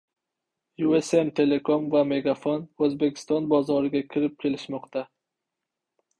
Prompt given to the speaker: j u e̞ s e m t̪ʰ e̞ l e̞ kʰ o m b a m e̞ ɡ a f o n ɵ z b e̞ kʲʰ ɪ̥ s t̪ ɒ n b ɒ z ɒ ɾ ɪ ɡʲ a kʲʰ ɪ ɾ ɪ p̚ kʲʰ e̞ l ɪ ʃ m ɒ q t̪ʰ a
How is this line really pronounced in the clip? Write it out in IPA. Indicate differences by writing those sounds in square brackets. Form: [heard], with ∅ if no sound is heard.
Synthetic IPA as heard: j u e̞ s e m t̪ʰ e̞ l e̞ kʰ o m [v] a m e̞ ɡ a f o n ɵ z b e̞ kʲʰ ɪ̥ s t̪ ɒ n b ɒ z ɒ ɾ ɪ ɡʲ a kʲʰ ɪ ɾ ɪ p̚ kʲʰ e̞ l ɪ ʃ m ɒ q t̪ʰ a

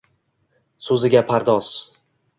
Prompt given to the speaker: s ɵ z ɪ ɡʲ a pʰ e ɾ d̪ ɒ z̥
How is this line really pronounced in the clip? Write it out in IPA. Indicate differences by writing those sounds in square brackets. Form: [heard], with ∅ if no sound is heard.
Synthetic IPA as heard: s ɵ z ɪ ɡʲ a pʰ [a] ɾ d̪ ɒ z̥

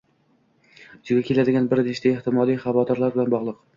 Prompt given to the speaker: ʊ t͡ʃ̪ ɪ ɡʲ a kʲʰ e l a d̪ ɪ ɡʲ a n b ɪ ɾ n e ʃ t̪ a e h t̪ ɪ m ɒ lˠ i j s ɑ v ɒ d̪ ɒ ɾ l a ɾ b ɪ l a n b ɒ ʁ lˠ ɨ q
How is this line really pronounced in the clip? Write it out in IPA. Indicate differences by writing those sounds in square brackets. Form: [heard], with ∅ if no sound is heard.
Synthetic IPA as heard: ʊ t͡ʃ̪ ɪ ɡʲ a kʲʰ e l a d̪ ɪ ɡʲ a n b ɪ ɾ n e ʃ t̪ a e h t̪ ɪ m ɒ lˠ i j [χ] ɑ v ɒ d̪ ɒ ɾ l a ɾ b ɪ l a n b ɒ ʁ lˠ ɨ q

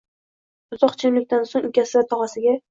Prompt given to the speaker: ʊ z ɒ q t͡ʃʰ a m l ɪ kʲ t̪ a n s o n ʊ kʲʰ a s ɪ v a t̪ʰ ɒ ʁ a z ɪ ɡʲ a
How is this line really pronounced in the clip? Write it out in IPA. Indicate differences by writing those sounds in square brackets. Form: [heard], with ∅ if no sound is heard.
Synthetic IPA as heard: ʊ z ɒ q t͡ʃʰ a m l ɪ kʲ t̪ a n s o [ŋ] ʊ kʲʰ a s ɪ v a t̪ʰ ɒ ʁ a [s] ɪ ɡʲ a

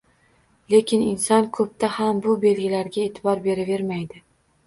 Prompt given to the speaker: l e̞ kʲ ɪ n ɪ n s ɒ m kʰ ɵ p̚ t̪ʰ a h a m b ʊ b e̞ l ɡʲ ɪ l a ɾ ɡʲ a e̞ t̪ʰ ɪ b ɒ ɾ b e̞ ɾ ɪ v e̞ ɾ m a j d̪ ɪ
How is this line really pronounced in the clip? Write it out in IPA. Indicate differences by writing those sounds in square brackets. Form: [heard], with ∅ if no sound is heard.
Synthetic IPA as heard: l e̞ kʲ ɪ n ɪ n s ɒ [n] kʰ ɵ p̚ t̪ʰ a h a m b ʊ b e̞ l ɡʲ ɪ l a ɾ ɡʲ a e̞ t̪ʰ ɪ b ɒ ɾ b e̞ ɾ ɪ v e̞ ɾ m a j d̪ ɪ

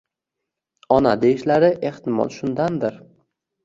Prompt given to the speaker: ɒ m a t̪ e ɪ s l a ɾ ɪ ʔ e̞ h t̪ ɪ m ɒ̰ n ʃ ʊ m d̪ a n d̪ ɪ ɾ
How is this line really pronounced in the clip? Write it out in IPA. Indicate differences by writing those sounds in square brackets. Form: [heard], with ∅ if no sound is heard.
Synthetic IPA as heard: ɒ [n] a [d̪] e ɪ [ʃ] l a ɾ ɪ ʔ e̞ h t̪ ɪ m ɒ̰ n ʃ ʊ [n] d̪ a n d̪ ɪ ɾ

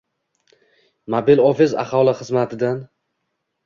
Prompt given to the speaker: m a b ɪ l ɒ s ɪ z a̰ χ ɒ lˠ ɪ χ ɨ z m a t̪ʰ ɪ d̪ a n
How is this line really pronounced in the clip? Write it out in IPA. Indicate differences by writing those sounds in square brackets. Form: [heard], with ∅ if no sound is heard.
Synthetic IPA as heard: m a b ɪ l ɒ [f] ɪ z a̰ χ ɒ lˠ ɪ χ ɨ z m a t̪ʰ ɪ d̪ a n

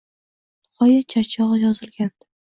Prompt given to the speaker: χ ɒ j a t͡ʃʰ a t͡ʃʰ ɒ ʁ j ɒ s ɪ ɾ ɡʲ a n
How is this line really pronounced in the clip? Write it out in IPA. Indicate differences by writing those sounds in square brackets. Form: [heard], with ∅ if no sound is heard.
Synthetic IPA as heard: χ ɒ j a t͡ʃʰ a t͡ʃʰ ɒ ʁ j ɒ [z] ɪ [l] ɡʲ a n

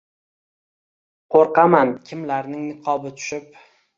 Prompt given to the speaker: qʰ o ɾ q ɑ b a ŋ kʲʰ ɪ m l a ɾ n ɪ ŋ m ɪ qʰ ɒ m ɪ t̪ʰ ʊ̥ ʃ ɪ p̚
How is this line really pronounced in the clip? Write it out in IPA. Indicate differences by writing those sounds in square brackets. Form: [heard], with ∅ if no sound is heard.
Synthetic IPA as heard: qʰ o ɾ q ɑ [m] a [n] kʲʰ ɪ m l a ɾ n ɪ ŋ [n] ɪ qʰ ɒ [b] ɪ t̪ʰ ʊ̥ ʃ ɪ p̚

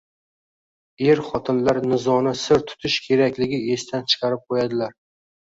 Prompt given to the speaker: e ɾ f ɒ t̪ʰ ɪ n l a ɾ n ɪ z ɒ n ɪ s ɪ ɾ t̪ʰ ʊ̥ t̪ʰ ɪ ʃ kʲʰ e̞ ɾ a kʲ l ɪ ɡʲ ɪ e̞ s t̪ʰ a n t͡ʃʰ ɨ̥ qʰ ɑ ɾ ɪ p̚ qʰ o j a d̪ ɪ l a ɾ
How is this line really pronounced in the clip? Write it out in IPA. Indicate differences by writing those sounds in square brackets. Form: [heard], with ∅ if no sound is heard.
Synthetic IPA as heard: e ɾ [χ] ɒ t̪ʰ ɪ n l a ɾ n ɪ z ɒ n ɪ s ɪ ɾ t̪ʰ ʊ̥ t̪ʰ ɪ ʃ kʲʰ e̞ ɾ a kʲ l ɪ ɡʲ ɪ e̞ s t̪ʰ a n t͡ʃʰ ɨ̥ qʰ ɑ ɾ ɪ p̚ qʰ o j a d̪ ɪ l a ɾ

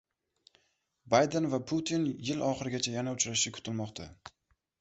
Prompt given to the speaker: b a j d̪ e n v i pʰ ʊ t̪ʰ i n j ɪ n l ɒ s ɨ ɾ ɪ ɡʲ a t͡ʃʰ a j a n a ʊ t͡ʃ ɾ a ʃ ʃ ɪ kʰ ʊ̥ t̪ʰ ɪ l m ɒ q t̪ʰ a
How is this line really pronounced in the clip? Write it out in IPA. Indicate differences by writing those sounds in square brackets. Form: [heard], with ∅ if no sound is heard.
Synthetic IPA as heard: b a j d̪ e n v [a] pʰ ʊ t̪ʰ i n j ɪ [∅] l ɒ [χ] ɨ ɾ ɪ ɡʲ a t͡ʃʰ a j a n a ʊ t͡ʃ ɾ a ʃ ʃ ɪ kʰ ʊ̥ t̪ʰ ɪ l m ɒ q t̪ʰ a

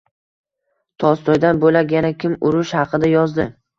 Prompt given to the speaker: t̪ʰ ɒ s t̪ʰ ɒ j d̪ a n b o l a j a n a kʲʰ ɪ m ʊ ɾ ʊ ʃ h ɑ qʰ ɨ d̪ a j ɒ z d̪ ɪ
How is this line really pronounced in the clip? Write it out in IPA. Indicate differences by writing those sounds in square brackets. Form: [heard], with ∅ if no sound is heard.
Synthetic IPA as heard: t̪ʰ ɒ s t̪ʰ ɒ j d̪ a n b o l a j a n a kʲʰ ɪ m ʊ ɾ ʊ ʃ h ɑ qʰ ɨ d̪ a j ɒ z d̪ ɪ

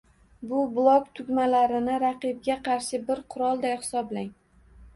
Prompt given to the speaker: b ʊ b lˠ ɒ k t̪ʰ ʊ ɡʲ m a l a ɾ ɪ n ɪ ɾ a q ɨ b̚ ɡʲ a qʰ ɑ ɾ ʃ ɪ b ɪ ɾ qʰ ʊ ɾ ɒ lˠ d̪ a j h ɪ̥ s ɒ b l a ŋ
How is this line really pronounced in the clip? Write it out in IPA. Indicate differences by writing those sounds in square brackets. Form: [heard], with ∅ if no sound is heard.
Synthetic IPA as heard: b ʊ b lˠ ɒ k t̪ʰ ʊ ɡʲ m a l a ɾ ɪ n ɪ ɾ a q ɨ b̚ ɡʲ a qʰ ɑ ɾ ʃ ɪ b ɪ ɾ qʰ ʊ ɾ ɒ lˠ d̪ a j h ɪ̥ s ɒ b l a ŋ

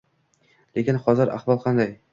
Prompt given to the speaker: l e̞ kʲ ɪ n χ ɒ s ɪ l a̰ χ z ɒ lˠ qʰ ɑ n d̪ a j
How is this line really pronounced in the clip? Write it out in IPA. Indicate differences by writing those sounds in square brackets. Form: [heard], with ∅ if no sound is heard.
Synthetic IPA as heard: l e̞ kʲ ɪ n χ ɒ [z] ɪ [ɾ] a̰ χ [v] ɒ lˠ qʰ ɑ n d̪ a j

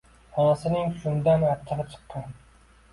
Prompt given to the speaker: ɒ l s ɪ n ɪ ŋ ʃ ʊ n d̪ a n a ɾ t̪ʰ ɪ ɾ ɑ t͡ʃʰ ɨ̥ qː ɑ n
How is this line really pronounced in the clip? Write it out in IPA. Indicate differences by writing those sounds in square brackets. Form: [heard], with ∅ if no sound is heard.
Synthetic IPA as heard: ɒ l s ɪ n ɪ ŋ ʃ ʊ n d̪ a n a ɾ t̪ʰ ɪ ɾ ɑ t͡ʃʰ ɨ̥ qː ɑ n

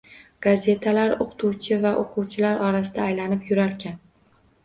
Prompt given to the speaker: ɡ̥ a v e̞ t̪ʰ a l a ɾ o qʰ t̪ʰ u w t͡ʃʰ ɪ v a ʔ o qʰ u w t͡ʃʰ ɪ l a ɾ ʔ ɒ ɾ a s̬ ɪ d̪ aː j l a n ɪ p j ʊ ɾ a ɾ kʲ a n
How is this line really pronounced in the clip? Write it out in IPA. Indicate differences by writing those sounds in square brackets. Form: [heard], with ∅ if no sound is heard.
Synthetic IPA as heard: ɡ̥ a [z] e̞ t̪ʰ a l a ɾ o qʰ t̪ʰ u w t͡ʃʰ ɪ v a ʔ o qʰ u w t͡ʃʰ ɪ l a ɾ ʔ ɒ ɾ a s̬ ɪ d̪ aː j l a n ɪ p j ʊ ɾ a ɾ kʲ a n

